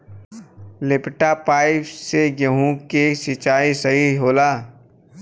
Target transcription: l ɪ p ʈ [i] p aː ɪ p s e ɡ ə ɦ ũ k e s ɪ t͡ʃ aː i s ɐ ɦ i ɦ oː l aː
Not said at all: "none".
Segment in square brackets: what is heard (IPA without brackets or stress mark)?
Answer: a